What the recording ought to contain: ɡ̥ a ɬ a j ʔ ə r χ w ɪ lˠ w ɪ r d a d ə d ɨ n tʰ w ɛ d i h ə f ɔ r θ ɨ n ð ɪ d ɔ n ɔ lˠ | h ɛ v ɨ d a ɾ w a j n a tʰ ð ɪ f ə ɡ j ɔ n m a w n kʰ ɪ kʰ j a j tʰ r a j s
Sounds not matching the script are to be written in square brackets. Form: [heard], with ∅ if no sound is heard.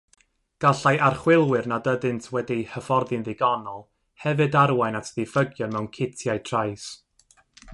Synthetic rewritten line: ɡ̥ a ɬ a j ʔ [a] r χ w ɪ lˠ w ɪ r [n] a d ə d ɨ n tʰ w ɛ d i h ə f ɔ r [ð] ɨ n ð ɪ [ɡ] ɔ n ɔ lˠ | h ɛ v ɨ d a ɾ w a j n a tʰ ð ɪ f ə ɡ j ɔ n m [ɛ] w n kʰ ɪ [tʰ] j a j tʰ r a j s